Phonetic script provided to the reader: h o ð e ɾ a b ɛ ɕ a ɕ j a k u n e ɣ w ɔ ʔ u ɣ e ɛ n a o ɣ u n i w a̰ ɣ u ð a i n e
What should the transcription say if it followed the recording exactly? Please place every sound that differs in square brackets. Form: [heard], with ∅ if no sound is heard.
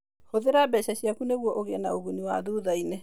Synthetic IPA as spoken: h o ð e ɾ a b ɛ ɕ a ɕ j a k u n e ɣ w ɔ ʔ [o] ɣ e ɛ n a o ɣ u n i w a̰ [ð] u ð a i n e